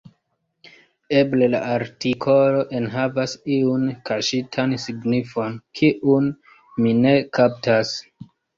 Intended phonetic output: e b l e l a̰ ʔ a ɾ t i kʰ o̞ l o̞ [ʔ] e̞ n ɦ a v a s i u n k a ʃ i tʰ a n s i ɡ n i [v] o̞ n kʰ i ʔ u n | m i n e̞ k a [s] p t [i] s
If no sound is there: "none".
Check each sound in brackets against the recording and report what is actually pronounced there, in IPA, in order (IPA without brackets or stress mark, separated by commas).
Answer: ʔ, f, none, a